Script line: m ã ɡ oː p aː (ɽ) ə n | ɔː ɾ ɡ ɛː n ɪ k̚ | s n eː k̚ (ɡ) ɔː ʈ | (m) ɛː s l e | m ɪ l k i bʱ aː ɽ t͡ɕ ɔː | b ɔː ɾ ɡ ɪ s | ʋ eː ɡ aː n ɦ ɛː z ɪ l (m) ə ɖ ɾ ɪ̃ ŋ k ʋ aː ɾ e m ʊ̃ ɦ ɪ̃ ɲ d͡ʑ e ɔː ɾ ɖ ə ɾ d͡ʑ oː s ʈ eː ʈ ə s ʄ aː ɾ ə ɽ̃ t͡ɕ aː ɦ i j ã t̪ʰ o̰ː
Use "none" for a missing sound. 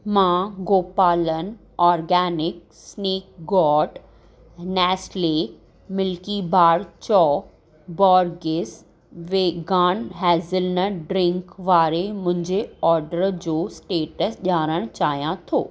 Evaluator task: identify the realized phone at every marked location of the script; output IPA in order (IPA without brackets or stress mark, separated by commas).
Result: l, ɡ, n, n